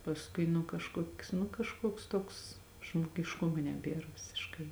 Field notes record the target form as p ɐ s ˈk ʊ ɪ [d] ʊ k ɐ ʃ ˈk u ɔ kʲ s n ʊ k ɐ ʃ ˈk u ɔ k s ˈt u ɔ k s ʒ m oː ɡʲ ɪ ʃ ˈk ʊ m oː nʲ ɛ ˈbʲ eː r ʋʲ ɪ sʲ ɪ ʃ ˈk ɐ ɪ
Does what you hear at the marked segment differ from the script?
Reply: yes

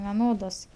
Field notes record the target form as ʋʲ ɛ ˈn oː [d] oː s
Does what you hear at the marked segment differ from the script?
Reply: no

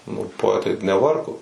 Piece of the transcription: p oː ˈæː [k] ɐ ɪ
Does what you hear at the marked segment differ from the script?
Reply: yes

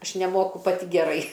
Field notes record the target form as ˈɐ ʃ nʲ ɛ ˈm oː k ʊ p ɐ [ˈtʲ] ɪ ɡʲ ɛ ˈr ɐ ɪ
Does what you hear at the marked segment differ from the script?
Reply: no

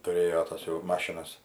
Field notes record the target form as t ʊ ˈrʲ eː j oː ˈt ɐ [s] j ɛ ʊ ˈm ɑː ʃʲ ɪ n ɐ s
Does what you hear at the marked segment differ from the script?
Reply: no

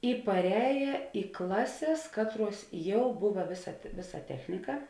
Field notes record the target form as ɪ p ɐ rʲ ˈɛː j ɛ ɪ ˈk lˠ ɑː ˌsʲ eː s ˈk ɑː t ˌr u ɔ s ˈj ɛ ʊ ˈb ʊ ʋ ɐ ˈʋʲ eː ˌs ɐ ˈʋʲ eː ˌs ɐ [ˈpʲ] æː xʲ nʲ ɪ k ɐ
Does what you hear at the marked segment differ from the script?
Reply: yes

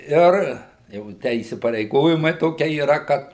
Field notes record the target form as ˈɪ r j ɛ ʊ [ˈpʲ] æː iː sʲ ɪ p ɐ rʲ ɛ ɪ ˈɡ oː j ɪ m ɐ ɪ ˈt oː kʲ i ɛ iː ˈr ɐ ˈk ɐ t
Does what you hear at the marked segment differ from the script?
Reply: yes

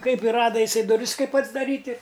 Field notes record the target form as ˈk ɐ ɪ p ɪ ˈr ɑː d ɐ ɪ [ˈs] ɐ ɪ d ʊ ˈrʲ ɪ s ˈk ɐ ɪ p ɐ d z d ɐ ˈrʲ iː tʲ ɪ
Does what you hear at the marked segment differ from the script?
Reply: no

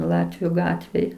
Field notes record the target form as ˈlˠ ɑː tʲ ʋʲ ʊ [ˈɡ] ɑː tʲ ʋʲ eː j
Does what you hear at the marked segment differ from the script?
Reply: no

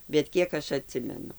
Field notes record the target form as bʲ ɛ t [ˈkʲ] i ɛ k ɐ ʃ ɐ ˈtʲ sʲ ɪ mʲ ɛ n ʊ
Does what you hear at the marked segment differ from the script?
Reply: no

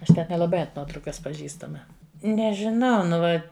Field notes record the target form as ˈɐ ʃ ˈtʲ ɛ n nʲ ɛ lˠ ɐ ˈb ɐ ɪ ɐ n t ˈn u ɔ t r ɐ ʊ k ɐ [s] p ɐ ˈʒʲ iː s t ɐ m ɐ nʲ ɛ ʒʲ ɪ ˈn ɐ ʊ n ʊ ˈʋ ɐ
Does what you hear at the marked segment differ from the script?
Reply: no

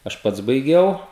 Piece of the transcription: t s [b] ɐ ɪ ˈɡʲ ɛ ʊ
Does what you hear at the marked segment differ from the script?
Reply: no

